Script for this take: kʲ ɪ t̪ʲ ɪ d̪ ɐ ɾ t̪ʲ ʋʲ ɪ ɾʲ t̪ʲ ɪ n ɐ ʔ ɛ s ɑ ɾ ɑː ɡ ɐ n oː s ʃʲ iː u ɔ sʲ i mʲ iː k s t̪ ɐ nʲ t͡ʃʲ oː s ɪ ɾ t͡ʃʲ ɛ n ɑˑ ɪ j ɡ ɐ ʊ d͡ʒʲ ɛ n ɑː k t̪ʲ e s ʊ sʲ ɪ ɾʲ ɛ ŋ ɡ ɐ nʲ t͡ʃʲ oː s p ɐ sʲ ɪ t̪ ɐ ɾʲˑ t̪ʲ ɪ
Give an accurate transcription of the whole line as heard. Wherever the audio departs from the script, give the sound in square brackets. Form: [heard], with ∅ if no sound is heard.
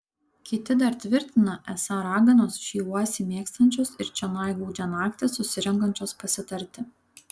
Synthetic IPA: kʲ ɪ t̪ʲ ɪ d̪ ɐ ɾ t̪ʲ ʋʲ ɪ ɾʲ t̪ʲ ɪ n ɐ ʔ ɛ s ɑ ɾ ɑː ɡ ɐ n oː s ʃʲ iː u ɔ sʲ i mʲ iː k s t̪ ɐ nʲ t͡ʃʲ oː s ɪ ɾ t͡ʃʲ ɛ n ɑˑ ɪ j ɡ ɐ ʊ d͡ʒʲ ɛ n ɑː k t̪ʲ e s ʊ sʲ ɪ ɾʲ ɛ ŋ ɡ ɐ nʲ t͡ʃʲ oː s p ɐ sʲ ɪ t̪ ɐ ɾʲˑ t̪ʲ ɪ

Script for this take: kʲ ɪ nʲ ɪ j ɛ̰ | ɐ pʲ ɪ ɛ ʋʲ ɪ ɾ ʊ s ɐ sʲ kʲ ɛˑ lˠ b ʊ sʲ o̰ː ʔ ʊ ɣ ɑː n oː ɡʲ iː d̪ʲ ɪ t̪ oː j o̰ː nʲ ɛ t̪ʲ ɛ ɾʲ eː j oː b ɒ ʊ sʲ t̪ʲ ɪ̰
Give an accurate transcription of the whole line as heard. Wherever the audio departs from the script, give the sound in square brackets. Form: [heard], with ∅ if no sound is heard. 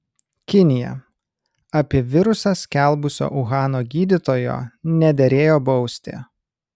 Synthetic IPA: kʲ ɪ nʲ ɪ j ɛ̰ | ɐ pʲ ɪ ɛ ʋʲ ɪ ɾ ʊ s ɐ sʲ kʲ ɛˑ lˠ b ʊ sʲ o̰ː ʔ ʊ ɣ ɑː n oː ɡʲ iː d̪ʲ ɪ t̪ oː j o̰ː nʲ ɛ [d̪ʲ] ɛ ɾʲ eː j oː b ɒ ʊ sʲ t̪ʲ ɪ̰

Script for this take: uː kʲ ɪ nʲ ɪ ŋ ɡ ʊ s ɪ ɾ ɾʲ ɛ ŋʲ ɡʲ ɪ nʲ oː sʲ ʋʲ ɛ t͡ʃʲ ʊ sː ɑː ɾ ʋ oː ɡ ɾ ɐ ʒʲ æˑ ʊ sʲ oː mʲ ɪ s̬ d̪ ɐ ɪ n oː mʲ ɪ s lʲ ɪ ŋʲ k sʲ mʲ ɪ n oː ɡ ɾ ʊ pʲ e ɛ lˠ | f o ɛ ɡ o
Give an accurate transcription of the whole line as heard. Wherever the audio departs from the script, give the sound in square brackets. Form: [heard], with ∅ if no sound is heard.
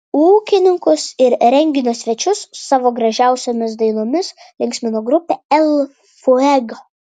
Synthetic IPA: uː kʲ ɪ nʲ ɪ ŋ [k] ʊ s ɪ ɾ ɾʲ ɛ ŋʲ ɡʲ ɪ nʲ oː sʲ ʋʲ ɛ t͡ʃʲ ʊ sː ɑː [∅] ʋ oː ɡ ɾ ɐ ʒʲ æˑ ʊ sʲ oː mʲ ɪ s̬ d̪ ɐ ɪ n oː mʲ ɪ s lʲ ɪ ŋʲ k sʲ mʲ ɪ n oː ɡ ɾ ʊ pʲ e ɛ lˠ | f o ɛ ɡ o

